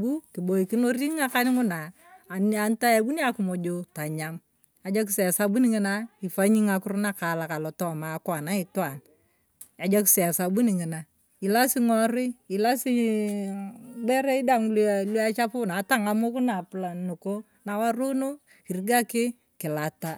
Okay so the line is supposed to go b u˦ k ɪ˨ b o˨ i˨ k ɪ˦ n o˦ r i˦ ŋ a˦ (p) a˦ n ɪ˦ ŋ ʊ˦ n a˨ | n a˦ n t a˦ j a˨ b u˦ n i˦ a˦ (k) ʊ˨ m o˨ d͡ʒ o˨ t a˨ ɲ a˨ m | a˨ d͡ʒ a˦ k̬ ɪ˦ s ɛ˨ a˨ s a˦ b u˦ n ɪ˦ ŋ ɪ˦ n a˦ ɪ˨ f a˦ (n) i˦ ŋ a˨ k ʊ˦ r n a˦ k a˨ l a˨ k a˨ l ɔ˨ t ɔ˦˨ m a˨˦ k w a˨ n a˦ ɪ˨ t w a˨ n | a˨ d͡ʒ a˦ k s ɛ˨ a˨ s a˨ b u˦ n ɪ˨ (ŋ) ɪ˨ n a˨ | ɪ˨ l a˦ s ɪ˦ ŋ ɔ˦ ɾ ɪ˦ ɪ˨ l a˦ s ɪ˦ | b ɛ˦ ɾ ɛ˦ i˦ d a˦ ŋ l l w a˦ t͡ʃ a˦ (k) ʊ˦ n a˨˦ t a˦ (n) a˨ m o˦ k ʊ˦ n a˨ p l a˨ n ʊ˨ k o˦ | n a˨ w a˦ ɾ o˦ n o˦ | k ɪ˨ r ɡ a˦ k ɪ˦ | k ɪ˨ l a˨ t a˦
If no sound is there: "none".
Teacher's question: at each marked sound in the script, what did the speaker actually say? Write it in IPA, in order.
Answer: k, k, ɲ, ŋ, p, ŋ

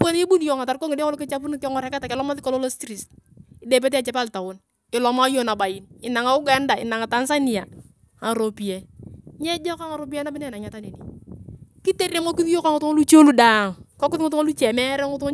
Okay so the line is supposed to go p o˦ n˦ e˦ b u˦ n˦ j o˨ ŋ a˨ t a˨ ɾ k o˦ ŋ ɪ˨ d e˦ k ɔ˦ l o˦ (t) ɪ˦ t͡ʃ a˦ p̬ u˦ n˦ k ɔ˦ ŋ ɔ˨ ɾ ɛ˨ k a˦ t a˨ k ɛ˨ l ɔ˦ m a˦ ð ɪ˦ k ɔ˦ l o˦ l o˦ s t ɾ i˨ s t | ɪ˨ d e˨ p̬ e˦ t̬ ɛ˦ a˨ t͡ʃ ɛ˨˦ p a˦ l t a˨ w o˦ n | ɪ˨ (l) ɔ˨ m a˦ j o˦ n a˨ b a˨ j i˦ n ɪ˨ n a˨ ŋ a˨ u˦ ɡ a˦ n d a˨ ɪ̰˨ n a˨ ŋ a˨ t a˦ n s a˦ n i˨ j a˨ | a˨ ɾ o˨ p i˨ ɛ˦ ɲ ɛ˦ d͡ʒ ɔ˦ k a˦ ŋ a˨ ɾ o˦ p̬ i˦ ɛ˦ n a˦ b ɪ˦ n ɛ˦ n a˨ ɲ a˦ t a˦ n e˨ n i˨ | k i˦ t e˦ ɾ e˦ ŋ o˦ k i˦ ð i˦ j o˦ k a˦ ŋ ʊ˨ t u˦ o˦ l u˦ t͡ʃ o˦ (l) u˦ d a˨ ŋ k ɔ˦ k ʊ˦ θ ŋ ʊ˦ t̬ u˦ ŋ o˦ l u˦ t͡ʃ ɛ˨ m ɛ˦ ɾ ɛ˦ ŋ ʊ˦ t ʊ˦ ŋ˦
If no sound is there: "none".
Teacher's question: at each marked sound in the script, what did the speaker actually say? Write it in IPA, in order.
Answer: k, l, l

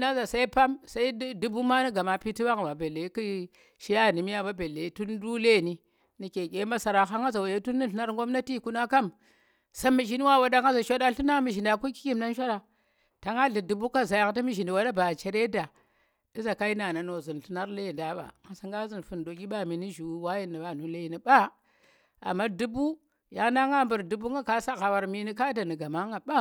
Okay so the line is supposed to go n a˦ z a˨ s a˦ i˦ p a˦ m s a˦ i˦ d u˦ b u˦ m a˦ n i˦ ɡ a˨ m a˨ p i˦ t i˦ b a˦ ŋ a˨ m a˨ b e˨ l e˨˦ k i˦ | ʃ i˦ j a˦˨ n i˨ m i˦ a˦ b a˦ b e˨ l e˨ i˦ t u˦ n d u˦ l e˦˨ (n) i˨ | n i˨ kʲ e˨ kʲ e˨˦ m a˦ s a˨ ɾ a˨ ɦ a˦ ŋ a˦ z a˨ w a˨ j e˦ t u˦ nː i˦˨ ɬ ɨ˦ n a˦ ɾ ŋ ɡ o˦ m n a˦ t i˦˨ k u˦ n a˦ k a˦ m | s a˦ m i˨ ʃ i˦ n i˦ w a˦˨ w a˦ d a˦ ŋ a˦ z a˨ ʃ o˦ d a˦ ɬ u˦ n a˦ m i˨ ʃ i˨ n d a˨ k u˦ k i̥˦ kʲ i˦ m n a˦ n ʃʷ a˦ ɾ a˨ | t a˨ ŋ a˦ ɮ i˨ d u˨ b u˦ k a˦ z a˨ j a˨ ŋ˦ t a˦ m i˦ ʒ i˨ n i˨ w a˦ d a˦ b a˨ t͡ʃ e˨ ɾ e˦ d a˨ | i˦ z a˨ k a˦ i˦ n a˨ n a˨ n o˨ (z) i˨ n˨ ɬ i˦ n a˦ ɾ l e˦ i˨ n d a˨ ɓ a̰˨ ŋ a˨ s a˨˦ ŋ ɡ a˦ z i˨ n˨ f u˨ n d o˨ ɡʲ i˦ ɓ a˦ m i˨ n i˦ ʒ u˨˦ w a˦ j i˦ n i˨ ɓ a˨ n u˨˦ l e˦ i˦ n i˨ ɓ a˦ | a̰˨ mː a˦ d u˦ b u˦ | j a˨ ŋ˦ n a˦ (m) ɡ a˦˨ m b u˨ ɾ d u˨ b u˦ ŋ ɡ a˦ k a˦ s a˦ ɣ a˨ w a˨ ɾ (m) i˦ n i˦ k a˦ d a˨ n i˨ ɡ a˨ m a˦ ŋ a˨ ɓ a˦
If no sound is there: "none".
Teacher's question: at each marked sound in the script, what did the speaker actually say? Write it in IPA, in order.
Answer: n, z, ŋ, m

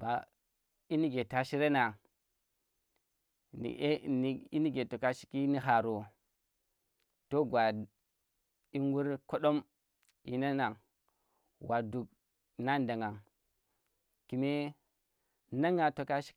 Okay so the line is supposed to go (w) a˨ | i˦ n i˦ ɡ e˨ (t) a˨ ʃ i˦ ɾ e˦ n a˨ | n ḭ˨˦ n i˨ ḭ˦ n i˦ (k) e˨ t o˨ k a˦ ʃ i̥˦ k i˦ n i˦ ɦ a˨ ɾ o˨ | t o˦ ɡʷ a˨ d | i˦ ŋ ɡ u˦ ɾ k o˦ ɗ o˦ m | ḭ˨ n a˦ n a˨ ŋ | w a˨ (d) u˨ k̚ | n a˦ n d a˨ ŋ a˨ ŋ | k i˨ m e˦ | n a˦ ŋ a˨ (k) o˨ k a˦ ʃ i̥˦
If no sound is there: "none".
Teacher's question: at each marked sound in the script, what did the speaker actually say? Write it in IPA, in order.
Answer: b, t, ɡ, d, t

